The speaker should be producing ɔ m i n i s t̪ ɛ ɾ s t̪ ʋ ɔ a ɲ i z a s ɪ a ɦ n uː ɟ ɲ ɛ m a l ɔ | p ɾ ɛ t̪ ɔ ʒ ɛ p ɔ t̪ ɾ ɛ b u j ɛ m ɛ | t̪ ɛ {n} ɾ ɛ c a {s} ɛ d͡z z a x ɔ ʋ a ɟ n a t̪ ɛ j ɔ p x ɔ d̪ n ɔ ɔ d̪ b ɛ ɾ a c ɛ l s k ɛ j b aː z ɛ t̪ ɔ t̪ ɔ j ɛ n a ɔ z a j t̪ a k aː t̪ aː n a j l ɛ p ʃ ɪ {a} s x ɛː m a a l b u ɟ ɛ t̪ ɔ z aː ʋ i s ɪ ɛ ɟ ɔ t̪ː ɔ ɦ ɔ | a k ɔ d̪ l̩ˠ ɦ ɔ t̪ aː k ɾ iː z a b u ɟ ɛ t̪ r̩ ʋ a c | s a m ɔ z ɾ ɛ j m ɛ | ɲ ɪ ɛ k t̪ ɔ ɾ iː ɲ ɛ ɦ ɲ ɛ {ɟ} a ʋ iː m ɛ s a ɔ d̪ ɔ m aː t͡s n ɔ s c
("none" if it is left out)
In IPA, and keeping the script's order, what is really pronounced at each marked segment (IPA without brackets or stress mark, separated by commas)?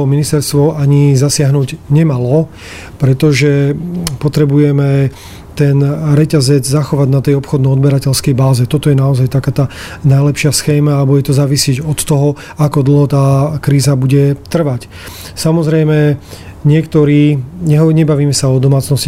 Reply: n, z, a, b